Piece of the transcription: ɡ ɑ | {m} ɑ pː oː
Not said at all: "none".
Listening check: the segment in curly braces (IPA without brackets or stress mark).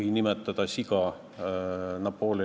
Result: n